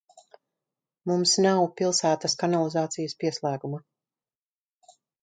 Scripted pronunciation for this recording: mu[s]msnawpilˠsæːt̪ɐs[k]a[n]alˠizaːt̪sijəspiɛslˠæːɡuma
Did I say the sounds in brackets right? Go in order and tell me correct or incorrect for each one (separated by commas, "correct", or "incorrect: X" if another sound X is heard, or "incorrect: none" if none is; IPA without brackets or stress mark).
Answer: incorrect: none, correct, correct